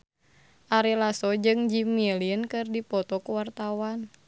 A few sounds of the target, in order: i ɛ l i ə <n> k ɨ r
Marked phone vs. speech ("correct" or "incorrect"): correct